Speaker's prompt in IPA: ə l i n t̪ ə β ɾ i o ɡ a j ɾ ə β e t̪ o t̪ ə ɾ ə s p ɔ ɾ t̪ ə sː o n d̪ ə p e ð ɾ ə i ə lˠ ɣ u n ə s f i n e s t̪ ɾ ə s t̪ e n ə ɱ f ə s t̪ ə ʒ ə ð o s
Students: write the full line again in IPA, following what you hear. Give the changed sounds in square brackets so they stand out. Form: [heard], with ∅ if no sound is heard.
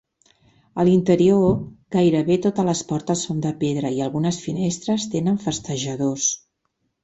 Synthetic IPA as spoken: ə l i n t̪ ə [∅] ɾ i o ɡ a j ɾ ə β e t̪ o t̪ ə [l] ə s p ɔ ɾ t̪ ə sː o n d̪ ə p e ð ɾ ə i ə lˠ ɣ u n ə s f i n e s t̪ ɾ ə s t̪ e n ə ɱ f ə s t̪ ə ʒ ə ð o s